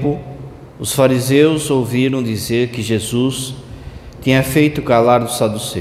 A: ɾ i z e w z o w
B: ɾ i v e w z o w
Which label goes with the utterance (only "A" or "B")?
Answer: A